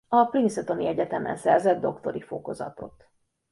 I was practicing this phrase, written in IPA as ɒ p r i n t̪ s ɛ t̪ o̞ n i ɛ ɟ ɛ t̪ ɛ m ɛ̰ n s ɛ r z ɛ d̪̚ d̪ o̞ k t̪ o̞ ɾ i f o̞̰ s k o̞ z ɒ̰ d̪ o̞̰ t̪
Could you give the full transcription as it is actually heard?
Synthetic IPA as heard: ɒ p r i n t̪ s ɛ t̪ o̞ n i ɛ ɟ ɛ t̪ ɛ m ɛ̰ n s ɛ r z ɛ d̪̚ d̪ o̞ k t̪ o̞ ɾ i f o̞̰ k o̞ z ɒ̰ t̪ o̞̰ t̪